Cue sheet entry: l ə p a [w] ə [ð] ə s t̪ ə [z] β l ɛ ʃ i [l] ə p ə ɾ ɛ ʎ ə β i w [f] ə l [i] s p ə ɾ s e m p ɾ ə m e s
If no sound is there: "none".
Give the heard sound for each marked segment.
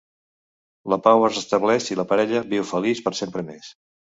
w, z, none, l, f, i

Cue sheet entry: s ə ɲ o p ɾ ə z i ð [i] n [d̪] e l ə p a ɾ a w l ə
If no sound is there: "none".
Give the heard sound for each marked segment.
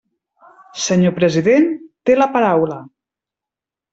e, t̪

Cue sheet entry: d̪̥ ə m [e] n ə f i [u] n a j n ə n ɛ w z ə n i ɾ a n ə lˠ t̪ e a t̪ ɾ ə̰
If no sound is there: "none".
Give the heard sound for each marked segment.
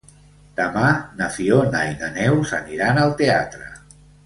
a, o

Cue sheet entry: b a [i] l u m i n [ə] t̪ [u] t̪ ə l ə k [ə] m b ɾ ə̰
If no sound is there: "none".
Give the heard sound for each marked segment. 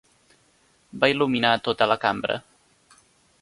i, a, o, a

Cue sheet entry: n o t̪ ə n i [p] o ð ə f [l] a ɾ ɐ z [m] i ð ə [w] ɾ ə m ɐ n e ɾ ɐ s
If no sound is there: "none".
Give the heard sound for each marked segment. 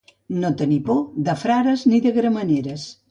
p, ɾ, n, ɣ

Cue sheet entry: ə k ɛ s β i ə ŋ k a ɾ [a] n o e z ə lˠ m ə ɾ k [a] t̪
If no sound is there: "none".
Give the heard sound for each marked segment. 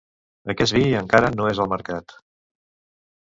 ə, a

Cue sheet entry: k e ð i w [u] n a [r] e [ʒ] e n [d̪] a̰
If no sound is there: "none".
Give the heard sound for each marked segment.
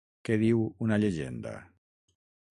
u, ʎ, ʒ, d̪

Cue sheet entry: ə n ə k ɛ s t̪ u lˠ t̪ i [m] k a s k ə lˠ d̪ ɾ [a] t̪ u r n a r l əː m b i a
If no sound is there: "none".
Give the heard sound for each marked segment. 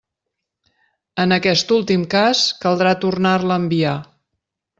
m, a

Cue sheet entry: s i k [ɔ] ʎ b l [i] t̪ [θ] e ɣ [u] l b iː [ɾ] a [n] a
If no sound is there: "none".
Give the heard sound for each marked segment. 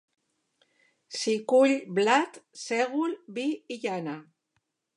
u, a, s, u, ʎ, n

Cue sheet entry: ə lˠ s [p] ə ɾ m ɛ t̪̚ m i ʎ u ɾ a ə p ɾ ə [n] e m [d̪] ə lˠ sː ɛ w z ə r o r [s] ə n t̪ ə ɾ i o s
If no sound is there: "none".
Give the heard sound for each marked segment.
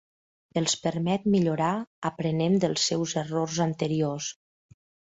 p, n, d̪, z

